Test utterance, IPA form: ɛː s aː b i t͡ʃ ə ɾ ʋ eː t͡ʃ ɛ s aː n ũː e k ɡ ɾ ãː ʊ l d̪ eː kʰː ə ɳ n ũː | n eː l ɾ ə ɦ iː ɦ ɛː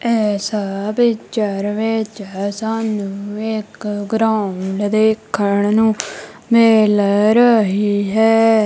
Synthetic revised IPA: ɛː s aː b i t͡ʃ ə ɾ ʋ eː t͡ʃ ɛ s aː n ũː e k ɡ ɾ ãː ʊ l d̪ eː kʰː ə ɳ n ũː | m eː l ɾ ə ɦ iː ɦ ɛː